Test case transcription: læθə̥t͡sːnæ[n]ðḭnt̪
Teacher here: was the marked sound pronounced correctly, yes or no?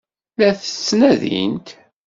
no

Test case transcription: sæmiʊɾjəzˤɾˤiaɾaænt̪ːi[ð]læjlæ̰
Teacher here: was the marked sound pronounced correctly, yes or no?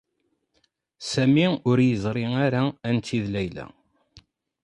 yes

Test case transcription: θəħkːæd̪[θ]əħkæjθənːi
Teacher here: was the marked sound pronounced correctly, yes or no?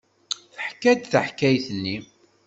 yes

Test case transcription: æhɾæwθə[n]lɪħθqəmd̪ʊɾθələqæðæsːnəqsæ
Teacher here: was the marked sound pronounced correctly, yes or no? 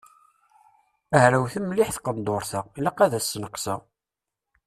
no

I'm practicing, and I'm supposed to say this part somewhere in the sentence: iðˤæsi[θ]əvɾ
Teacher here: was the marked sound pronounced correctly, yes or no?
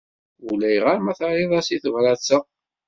yes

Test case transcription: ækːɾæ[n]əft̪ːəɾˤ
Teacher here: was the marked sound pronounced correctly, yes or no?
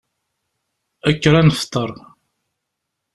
yes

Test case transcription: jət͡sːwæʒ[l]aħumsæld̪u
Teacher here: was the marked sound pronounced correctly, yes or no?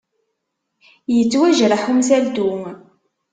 no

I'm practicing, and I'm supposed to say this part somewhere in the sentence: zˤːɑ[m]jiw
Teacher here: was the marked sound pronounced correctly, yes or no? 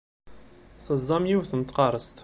yes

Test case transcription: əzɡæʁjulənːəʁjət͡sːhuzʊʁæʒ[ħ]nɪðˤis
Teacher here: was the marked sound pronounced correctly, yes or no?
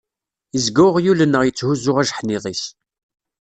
yes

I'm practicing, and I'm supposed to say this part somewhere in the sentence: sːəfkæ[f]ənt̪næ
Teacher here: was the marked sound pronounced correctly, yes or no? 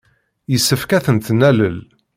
no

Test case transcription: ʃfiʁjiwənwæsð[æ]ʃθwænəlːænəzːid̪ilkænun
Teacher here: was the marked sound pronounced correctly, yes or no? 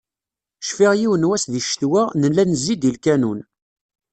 no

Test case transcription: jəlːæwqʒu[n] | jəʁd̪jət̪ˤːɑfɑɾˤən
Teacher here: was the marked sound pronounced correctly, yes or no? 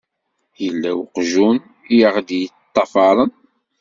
yes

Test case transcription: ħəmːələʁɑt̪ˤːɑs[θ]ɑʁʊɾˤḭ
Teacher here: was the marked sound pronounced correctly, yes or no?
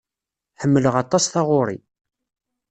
yes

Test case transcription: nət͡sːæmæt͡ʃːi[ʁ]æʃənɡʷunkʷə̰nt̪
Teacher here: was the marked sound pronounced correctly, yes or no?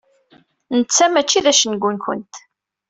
no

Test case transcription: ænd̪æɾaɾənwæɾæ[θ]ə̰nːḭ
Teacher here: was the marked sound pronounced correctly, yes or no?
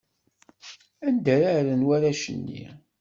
no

